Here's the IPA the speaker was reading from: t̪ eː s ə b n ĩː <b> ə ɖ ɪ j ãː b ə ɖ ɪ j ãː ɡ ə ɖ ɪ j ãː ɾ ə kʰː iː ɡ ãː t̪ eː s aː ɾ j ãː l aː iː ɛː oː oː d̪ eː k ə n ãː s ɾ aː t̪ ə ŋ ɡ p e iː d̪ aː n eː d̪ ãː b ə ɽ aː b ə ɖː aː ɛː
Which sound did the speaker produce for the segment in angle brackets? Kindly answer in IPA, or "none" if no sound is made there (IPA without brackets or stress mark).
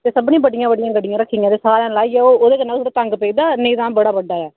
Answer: b